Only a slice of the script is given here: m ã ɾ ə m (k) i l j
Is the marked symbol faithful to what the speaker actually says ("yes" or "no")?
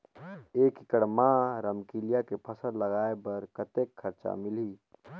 yes